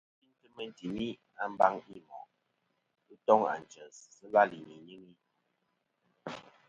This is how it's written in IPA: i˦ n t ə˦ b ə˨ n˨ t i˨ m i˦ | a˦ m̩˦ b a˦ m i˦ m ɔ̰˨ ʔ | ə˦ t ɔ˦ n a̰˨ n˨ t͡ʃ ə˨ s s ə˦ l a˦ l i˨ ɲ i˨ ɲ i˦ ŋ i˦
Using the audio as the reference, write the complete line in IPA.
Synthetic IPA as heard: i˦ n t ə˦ m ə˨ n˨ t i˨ m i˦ | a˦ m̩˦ b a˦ ŋ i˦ m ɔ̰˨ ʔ | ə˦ t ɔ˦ ŋ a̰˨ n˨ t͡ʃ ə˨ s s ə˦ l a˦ l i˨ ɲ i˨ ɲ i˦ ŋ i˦